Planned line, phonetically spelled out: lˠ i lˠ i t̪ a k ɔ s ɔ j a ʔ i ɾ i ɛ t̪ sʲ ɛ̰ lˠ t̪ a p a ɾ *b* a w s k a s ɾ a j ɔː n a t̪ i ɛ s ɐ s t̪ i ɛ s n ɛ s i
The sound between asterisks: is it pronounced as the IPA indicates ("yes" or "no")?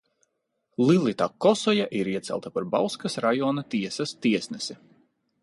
yes